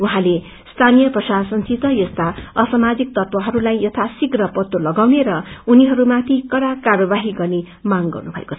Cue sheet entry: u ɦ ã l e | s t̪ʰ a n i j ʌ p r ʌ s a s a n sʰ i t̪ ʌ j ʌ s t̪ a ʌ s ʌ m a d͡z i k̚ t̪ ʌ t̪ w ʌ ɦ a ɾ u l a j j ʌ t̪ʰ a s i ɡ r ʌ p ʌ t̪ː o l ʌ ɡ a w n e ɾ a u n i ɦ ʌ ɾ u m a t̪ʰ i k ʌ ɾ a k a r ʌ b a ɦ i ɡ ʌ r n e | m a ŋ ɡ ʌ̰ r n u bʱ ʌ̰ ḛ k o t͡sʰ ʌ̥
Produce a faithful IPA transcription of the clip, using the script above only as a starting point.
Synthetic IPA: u ɦ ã l e | s t̪ʰ a n i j ʌ p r ʌ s a s ʌ n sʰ i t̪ ʌ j ʌ s t̪ a ʌ s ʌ m a d͡z i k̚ t̪ ʌ t̪ w ʌ ɦ ʌ ɾ u l a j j ʌ t̪ʰ a s i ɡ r ʌ p ʌ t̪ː o l ʌ ɡ a w n e ɾ ʌ u n i ɦ ʌ ɾ u m a t̪ʰ i k ʌ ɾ a k a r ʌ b a ɦ i ɡ ʌ r n e | m a ŋ ɡ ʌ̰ r n u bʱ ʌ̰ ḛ k o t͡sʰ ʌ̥